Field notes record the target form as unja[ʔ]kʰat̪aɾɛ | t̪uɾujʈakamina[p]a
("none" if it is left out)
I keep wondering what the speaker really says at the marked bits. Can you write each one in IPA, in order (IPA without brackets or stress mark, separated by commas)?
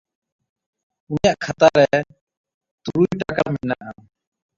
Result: ʔ, ʔ